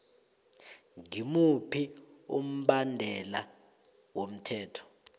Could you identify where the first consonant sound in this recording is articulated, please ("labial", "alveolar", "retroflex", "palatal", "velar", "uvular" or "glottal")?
velar